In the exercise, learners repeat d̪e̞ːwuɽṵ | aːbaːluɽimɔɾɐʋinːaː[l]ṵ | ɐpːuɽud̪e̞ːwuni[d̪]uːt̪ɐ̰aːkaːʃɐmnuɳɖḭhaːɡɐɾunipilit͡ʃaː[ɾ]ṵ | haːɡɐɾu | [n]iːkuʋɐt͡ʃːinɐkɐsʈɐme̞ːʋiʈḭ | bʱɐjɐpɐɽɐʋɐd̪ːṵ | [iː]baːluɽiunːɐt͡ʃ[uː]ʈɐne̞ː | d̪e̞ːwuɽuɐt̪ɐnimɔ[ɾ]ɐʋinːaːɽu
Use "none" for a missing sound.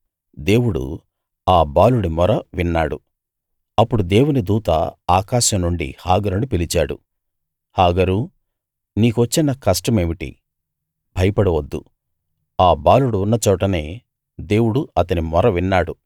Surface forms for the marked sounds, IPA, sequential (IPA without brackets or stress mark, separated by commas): ɽ, d̪, ɽ, n, aː, ɔː, ɾ